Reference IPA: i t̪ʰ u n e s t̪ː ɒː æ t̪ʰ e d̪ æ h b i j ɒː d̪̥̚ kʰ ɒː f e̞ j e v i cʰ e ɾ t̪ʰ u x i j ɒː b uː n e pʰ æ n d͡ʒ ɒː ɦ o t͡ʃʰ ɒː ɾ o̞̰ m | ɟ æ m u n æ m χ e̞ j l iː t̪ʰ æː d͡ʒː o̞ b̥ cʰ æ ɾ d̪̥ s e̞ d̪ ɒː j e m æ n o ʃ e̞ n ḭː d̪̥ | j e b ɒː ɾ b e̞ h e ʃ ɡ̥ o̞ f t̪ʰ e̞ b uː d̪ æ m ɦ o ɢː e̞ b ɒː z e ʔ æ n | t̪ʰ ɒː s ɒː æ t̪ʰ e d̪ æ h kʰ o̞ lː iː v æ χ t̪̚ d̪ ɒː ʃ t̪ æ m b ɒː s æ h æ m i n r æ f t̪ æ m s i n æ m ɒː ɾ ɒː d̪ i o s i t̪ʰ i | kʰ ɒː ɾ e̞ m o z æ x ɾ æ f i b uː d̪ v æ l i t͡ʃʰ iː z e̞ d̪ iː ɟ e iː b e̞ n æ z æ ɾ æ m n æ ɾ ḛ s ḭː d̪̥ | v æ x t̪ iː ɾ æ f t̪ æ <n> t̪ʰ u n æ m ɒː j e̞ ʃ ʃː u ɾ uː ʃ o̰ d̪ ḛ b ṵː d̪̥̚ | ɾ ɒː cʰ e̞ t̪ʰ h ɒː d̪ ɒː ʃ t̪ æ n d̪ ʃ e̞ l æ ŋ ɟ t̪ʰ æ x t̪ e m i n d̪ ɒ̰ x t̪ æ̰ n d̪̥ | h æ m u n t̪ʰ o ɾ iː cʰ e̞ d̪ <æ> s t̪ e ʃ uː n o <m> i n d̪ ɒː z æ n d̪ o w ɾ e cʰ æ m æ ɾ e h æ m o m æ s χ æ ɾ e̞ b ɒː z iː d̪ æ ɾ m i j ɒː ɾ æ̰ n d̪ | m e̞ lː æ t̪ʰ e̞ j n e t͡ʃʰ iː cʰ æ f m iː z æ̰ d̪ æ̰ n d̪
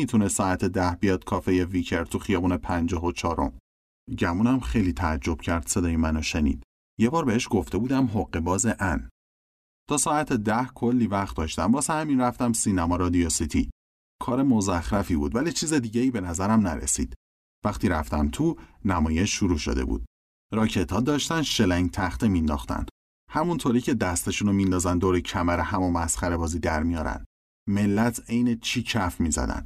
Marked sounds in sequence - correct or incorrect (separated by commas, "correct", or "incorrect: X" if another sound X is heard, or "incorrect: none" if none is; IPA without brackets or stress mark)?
incorrect: m, correct, correct